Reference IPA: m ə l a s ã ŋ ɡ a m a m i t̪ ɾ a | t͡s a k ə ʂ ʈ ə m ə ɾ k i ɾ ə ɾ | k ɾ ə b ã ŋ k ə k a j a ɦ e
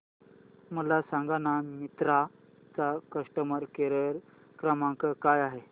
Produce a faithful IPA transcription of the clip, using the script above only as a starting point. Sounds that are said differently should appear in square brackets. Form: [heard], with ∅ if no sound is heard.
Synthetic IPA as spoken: m ə l a s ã ŋ ɡ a [n] a m i t̪ ɾ a | t͡s a k ə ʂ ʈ ə m ə ɾ k [e] ɾ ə ɾ | k ɾ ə [m] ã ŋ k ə k a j a ɦ e

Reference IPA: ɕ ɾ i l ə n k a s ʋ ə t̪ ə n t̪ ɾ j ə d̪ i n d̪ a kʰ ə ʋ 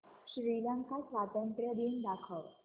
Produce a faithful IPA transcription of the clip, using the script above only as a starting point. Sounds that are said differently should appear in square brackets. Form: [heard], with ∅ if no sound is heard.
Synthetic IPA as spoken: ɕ ɾ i l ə [ŋ] k a s ʋ [a] t̪ ə n t̪ ɾ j ə d̪ i n d̪ a kʰ ə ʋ

